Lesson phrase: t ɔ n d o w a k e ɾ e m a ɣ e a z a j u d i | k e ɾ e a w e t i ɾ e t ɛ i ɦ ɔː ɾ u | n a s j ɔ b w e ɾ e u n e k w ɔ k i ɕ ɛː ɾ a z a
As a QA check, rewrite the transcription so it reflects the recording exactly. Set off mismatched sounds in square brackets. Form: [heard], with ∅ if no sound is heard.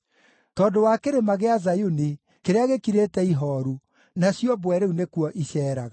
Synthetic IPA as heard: t ɔ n d o w a k e ɾ e m a ɣ e a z a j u [n] i | k e ɾ e a [ɣ] e [k] i ɾ e t ɛ i ɦ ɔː ɾ u | n a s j ɔ b w [ɛ] ɾ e u n e k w ɔ [ʔ] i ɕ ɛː ɾ a [ɣ] a